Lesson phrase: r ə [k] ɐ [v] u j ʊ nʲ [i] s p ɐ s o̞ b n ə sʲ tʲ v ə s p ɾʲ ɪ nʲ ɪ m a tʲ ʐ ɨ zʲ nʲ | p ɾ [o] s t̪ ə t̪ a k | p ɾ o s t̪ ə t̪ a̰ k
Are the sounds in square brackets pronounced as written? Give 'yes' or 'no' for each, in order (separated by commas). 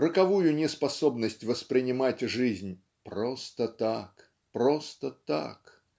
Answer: yes, yes, no, yes